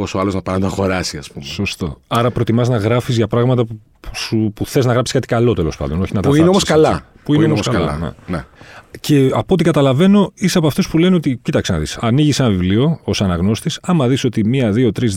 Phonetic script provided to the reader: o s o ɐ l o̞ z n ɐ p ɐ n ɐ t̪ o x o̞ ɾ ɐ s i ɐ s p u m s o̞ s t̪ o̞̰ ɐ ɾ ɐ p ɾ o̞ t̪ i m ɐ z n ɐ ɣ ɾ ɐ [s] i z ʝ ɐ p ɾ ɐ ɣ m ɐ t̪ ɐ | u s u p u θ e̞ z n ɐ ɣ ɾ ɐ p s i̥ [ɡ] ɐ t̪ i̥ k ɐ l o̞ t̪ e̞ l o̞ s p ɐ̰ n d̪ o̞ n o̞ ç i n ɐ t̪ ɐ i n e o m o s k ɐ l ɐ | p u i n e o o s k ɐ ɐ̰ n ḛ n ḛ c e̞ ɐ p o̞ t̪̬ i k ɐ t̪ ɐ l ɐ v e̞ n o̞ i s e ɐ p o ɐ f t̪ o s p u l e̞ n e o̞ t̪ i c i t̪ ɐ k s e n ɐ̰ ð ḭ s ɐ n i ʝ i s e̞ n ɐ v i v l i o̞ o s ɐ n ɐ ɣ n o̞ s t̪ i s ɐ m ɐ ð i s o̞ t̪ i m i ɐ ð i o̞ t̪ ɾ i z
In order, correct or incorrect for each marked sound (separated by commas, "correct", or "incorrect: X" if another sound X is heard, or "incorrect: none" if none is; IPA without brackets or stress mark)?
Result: incorrect: f, incorrect: k